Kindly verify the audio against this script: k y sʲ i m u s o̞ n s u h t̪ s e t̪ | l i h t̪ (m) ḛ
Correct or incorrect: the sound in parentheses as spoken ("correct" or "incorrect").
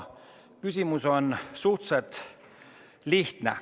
incorrect